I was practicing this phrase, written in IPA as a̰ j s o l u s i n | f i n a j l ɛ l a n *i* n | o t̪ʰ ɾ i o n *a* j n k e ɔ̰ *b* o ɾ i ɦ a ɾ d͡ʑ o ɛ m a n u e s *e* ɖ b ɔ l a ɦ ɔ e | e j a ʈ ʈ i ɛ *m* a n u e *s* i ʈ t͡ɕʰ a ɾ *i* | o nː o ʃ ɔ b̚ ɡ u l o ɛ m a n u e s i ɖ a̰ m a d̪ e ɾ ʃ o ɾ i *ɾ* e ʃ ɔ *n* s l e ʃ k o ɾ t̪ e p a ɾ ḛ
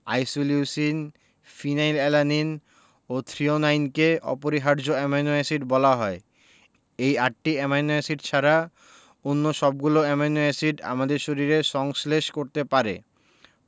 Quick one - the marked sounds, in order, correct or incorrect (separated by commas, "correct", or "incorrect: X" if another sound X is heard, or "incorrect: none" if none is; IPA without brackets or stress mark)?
correct, correct, incorrect: p, incorrect: i, correct, correct, incorrect: a, correct, incorrect: ŋ